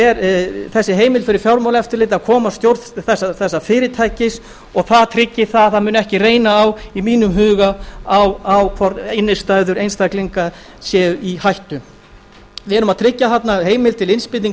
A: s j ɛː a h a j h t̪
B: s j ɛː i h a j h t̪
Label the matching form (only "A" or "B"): B